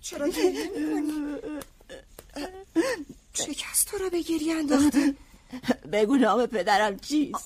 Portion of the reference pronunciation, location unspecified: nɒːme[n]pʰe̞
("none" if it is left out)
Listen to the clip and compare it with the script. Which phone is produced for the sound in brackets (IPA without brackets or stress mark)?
none